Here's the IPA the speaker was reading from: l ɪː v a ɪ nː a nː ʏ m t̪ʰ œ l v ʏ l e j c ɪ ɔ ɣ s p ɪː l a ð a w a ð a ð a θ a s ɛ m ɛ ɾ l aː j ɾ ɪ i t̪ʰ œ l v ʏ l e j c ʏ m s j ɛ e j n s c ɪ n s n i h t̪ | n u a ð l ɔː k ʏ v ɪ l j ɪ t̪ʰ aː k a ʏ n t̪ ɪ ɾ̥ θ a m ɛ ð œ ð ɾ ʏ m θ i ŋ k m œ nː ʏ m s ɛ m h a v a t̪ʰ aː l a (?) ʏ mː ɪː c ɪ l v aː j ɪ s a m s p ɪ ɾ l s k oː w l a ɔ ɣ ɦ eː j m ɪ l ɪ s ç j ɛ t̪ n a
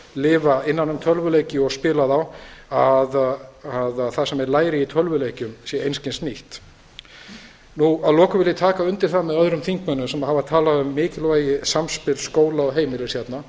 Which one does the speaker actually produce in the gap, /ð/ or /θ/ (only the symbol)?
ð